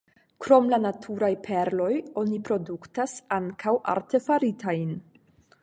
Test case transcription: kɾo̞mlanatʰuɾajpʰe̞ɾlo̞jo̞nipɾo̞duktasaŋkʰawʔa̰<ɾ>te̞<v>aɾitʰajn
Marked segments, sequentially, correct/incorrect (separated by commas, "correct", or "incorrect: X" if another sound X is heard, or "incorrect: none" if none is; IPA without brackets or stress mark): correct, incorrect: f